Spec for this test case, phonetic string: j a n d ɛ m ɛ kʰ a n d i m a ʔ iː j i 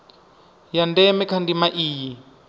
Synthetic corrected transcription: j a n d ɛ m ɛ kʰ a n d i m a ʔ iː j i